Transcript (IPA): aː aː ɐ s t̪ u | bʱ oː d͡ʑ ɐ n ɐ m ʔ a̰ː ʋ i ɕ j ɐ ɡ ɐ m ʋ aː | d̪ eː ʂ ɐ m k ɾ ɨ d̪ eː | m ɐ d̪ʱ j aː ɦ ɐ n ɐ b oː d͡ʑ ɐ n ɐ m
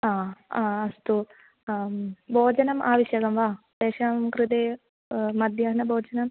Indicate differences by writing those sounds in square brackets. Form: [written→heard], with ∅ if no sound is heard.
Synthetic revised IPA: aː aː ɐ s t̪ u | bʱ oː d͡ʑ ɐ n ɐ m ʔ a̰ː ʋ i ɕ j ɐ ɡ ɐ m ʋ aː | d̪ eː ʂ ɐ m k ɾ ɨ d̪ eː | m ɐ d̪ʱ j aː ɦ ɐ n ɐ b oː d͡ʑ ɐ n ɐ m

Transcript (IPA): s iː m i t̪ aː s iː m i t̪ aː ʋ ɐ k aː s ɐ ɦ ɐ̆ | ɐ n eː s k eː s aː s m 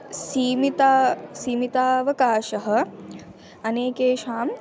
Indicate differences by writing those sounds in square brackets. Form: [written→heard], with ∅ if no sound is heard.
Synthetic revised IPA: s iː m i t̪ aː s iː m i t̪ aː ʋ ɐ k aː [s→ʃ] ɐ ɦ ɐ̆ | ɐ n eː [s→∅] k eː [s→ʃ] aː [s→∅] m

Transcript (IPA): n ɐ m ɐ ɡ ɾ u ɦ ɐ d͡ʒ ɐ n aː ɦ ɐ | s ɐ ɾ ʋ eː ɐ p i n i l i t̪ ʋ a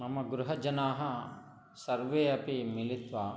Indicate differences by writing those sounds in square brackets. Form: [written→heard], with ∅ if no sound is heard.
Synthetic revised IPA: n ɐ m ɐ ɡ ɾ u ɦ ɐ d͡ʒ ɐ n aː ɦ ɐ | s ɐ ɾ ʋ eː ɐ p i [n→m] i l i t̪ ʋ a

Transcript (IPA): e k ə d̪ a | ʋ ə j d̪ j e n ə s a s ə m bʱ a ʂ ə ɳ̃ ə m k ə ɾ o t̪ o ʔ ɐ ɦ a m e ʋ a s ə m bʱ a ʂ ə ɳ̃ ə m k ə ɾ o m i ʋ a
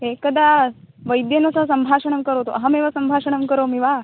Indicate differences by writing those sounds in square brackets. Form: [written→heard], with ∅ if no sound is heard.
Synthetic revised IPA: e k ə d̪ a | ʋ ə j d̪ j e n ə s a s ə m bʱ a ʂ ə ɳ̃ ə m k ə ɾ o t̪ o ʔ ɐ ɦ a m e ʋ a s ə m bʱ a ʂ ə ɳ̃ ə m k ə ɾ o m i ʋ a

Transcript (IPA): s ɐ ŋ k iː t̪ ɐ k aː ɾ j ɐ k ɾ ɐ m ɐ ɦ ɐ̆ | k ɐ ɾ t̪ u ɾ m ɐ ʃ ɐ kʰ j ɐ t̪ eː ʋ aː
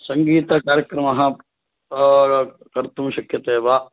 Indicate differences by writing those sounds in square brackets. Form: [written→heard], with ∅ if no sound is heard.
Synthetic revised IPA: s ɐ ŋ [k→ɡ] iː t̪ ɐ k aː ɾ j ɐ k ɾ ɐ m ɐ ɦ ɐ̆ | k ɐ ɾ t̪ u [ɾ→∅] m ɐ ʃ ɐ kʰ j ɐ t̪ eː ʋ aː

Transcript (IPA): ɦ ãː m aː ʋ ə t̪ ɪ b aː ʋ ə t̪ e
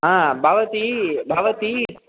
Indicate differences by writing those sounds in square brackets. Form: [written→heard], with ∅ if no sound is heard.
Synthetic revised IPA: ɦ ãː [m→b] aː ʋ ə t̪ [ɪ→i] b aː ʋ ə t̪ [e→i]

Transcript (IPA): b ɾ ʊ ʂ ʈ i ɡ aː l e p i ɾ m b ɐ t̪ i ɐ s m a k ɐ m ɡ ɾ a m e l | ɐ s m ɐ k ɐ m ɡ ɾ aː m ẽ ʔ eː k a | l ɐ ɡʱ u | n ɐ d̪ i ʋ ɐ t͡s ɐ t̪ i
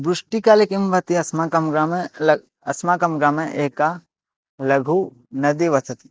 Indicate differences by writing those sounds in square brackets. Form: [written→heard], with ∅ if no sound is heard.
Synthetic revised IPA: b ɾ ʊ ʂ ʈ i [ɡ→k] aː l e [p→k] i [ɾ→∅] m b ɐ t̪ i ɐ s m a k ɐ m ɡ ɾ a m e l | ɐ s m [ɐ→a] k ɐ m ɡ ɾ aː m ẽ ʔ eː k a | l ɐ ɡʱ u | n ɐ d̪ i ʋ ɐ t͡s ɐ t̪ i

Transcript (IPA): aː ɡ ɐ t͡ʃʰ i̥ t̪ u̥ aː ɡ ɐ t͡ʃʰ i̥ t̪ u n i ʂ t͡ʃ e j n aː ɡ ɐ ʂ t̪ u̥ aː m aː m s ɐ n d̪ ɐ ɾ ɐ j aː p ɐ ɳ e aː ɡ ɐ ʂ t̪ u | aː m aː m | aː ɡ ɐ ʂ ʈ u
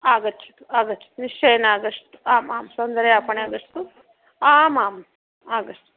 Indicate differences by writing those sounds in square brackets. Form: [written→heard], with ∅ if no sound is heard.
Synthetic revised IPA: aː ɡ ɐ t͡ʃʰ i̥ t̪ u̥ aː ɡ ɐ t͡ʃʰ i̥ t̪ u n i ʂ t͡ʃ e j n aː ɡ ɐ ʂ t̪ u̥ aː m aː m s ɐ n d̪ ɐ ɾ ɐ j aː p ɐ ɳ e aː ɡ ɐ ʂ t̪ u | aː m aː m | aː ɡ ɐ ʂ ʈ u

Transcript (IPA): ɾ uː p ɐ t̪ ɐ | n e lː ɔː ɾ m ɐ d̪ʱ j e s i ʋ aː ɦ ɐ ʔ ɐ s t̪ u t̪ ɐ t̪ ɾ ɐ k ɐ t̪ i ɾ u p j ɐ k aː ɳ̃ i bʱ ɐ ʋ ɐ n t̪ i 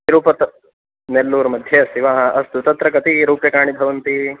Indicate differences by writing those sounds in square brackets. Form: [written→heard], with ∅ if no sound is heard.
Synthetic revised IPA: ɾ uː p ɐ t̪ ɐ | n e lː [ɔː→uː] ɾ m ɐ d̪ʱ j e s i ʋ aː ɦ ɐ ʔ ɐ s t̪ u t̪ ɐ t̪ ɾ ɐ k ɐ t̪ i ɾ [u→uː] p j ɐ k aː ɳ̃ i bʱ ɐ ʋ ɐ n t̪ i

